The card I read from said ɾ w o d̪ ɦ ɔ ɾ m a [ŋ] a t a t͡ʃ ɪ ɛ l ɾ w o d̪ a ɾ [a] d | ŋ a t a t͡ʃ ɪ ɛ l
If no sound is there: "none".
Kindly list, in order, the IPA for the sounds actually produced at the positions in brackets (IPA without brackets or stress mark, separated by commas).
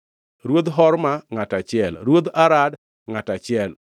ŋ, a